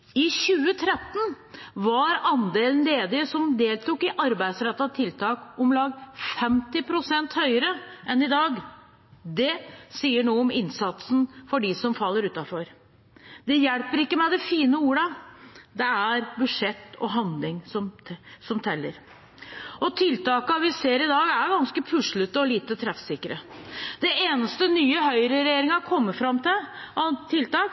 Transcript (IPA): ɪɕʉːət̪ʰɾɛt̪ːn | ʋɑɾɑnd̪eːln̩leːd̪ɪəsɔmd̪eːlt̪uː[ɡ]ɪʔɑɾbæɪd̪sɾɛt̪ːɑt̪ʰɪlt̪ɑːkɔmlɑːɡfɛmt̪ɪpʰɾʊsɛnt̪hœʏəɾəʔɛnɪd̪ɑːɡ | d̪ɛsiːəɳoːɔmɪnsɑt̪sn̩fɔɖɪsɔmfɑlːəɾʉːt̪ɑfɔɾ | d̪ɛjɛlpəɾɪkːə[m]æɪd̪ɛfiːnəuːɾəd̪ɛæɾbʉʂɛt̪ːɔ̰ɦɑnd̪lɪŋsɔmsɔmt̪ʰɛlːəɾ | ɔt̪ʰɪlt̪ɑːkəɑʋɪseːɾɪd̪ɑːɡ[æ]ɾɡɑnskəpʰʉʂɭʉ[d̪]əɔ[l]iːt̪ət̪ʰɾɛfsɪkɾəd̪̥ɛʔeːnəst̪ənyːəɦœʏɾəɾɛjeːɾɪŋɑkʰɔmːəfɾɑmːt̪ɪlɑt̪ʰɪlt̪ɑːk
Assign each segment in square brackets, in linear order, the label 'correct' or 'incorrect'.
incorrect: k, correct, correct, incorrect: t̪, correct

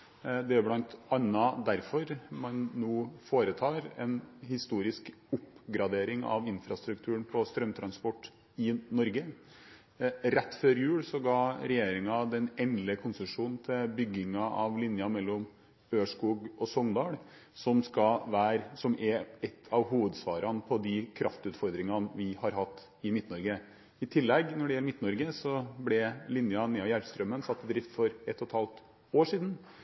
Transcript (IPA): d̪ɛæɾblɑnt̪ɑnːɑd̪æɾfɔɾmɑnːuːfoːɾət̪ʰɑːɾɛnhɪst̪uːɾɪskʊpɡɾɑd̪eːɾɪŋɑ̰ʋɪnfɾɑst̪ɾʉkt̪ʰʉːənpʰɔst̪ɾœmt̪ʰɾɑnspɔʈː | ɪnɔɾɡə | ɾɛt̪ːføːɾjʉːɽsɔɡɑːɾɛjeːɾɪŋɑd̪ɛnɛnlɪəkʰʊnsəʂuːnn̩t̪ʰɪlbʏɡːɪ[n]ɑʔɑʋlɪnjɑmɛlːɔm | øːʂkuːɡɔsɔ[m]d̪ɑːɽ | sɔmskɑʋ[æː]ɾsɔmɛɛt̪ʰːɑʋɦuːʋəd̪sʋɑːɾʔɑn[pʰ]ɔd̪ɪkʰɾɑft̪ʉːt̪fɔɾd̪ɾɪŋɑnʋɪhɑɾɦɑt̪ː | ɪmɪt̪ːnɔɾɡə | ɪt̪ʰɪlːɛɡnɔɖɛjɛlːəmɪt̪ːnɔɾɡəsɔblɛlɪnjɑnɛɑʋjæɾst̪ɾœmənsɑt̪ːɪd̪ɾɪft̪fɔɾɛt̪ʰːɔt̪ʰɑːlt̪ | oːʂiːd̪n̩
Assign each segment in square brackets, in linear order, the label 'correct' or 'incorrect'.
incorrect: ŋ, incorrect: ŋ, correct, correct

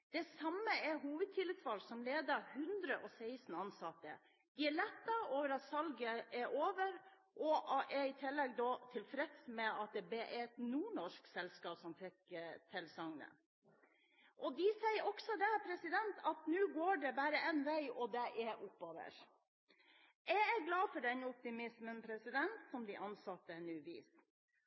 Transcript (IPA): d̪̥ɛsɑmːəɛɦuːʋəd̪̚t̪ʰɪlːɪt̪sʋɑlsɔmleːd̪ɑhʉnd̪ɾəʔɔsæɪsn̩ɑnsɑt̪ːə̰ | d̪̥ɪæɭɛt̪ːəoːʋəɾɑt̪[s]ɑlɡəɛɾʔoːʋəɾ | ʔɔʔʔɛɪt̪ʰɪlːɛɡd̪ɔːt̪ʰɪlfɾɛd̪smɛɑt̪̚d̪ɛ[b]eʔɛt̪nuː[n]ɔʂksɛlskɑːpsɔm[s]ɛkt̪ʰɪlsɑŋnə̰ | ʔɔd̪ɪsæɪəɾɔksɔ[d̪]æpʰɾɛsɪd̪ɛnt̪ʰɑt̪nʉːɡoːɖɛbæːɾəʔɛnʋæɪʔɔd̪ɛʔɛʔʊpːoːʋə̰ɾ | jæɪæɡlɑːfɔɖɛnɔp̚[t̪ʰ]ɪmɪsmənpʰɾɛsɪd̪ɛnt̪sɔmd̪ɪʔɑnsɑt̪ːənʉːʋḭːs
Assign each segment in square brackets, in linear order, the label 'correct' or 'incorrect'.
correct, correct, incorrect: ɳ, incorrect: f, correct, incorrect: t̪

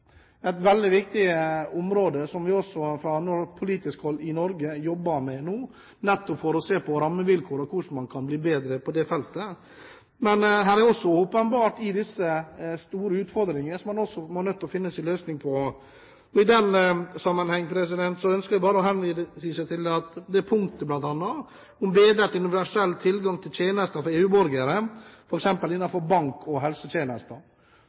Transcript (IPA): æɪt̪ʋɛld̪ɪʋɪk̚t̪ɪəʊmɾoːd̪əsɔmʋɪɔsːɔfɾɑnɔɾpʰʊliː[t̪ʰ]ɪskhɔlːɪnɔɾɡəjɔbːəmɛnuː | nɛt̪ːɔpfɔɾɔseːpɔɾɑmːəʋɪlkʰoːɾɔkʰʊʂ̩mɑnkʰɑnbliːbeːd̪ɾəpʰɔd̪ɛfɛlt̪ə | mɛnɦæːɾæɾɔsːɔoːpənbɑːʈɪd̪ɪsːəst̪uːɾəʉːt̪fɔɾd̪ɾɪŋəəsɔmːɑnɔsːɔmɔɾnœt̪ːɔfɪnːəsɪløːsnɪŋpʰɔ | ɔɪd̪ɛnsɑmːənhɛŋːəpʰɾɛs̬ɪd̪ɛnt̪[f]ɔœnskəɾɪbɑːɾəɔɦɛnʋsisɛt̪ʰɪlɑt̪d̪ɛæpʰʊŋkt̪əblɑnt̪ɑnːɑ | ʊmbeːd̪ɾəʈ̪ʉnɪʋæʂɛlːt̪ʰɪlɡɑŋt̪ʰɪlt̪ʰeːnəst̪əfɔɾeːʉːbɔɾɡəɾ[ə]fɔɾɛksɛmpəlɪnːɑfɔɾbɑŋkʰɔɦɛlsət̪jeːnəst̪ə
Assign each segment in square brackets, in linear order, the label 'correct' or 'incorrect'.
incorrect: t̪, incorrect: s, correct

